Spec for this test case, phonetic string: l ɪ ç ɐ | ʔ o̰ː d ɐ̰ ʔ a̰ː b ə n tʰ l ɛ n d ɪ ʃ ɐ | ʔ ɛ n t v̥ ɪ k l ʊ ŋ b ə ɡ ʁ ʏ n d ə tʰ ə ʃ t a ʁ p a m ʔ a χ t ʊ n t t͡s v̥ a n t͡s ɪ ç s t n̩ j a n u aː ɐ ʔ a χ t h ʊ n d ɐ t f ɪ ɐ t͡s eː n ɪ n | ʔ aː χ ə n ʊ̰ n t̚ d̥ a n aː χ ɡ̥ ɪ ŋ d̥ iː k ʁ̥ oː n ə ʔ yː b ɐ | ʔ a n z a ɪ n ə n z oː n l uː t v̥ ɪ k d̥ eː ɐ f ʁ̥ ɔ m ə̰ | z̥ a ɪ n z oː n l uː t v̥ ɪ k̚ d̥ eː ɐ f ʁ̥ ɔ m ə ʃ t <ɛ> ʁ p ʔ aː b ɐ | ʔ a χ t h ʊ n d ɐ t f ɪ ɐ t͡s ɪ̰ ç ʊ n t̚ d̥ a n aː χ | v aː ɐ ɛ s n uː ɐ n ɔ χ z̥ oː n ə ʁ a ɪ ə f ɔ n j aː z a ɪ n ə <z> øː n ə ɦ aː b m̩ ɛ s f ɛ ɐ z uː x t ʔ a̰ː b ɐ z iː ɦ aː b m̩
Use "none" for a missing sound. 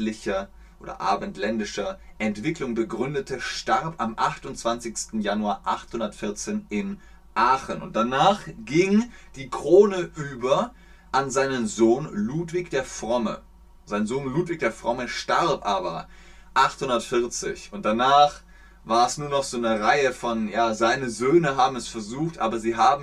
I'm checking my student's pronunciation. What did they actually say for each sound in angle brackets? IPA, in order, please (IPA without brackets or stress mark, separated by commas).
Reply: a, z